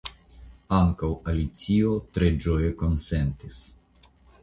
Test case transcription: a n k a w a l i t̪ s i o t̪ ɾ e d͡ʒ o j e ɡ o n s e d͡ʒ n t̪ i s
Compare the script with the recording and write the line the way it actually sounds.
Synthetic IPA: a ŋ k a w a l i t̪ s i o t̪ ɾ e d͡ʒ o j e k o n s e n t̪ i s